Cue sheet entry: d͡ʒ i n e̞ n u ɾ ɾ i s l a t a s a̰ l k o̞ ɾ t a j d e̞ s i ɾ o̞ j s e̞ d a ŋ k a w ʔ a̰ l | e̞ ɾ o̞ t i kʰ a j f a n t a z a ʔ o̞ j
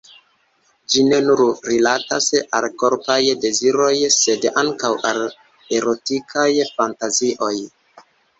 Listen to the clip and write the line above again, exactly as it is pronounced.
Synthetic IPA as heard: d͡ʒ i n e̞ n u ɾ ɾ i l a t a s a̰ l k o̞ ɾ p a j d e̞ z i ɾ o̞ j s e̞ d a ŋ k a w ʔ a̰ l | e̞ ɾ o̞ t i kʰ a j f a n t a z i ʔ o̞ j